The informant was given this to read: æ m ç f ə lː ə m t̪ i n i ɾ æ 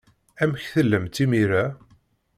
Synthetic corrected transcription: æ m ç θ ə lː ə m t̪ i m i ɾ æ